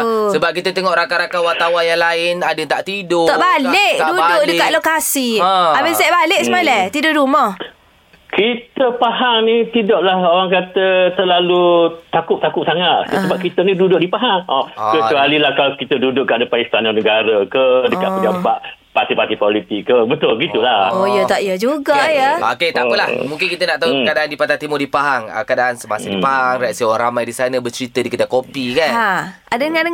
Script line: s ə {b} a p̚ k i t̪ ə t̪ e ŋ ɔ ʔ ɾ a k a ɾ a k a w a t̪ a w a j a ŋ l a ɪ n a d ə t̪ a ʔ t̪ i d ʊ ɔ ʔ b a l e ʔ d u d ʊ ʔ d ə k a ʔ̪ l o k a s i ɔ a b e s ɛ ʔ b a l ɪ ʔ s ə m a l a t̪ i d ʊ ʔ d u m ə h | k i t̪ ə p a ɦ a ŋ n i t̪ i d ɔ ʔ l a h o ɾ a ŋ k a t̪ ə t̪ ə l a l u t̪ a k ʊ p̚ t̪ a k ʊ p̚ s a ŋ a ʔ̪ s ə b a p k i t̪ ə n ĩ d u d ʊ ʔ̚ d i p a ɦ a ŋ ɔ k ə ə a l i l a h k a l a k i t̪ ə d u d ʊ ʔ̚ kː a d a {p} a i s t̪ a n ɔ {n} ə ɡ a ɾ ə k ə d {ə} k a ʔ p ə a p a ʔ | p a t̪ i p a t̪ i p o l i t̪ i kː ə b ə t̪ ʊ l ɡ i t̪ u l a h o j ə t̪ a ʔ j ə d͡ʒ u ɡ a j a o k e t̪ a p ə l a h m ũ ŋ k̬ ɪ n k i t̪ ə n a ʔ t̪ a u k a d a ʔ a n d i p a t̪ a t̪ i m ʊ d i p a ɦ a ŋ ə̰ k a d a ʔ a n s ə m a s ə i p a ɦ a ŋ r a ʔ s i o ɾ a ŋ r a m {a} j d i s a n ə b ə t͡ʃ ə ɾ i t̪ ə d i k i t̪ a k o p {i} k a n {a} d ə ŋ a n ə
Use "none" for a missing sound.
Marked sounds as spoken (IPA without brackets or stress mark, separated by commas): b, p, n, ə, a, i, a